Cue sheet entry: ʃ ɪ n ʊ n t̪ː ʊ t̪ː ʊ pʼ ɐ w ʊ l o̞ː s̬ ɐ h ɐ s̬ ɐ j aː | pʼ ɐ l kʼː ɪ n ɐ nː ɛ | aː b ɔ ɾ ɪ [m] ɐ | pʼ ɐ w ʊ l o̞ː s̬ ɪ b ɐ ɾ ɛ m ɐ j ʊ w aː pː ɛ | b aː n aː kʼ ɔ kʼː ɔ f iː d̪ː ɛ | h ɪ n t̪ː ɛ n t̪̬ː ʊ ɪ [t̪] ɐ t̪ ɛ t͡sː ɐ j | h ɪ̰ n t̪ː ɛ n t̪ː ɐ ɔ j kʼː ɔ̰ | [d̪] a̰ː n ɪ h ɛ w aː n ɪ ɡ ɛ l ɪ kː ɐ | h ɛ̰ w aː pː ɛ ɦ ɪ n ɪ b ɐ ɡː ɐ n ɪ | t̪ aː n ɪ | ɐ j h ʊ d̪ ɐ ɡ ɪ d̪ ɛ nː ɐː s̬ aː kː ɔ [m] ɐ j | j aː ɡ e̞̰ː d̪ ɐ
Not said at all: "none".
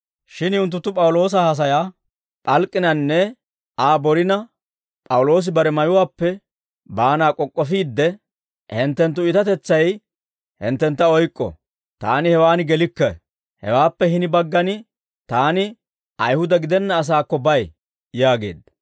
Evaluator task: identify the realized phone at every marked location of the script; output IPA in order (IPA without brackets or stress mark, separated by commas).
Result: n, t̪, t̪, b